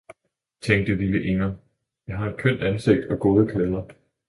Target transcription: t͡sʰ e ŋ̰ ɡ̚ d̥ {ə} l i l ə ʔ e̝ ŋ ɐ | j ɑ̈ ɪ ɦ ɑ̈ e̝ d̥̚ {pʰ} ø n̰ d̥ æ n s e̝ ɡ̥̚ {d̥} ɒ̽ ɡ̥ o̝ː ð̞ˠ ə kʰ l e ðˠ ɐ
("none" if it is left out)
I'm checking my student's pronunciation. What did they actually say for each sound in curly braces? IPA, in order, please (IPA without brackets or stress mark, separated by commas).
ə, kʰ, d̥